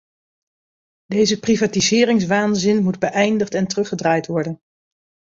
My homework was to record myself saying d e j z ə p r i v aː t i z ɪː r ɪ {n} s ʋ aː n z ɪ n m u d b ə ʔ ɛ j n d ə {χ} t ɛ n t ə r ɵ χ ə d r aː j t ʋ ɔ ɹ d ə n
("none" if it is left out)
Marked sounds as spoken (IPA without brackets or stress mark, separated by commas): ŋ, χ